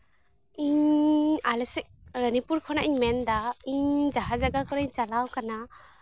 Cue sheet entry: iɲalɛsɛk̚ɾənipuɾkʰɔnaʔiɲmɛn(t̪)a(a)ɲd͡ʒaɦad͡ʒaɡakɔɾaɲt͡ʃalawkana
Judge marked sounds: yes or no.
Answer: no, no

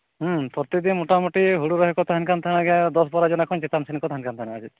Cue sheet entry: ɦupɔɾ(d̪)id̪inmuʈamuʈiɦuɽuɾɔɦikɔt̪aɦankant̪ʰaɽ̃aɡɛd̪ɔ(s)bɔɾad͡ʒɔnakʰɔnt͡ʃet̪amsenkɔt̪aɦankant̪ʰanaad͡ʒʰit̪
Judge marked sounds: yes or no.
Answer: no, yes

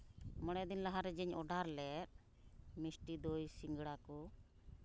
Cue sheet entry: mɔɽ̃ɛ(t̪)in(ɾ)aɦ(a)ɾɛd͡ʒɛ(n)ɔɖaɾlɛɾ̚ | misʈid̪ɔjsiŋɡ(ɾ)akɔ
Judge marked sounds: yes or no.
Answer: no, no, yes, no, no

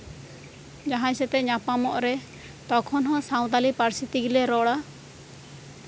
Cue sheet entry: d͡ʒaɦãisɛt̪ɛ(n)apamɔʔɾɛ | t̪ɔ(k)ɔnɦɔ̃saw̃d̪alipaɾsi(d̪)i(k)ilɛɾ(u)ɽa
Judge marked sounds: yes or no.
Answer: no, no, no, no, no

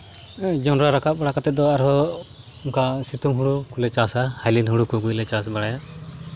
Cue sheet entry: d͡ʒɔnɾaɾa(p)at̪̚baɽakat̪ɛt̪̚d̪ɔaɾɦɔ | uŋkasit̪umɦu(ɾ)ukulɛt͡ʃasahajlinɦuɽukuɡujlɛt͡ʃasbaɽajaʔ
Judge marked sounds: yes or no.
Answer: no, no

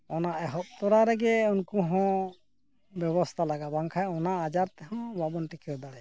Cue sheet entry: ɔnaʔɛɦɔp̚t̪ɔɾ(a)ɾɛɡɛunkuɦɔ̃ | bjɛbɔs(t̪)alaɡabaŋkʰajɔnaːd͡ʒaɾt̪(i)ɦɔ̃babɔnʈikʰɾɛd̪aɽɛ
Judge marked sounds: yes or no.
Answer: yes, no, no

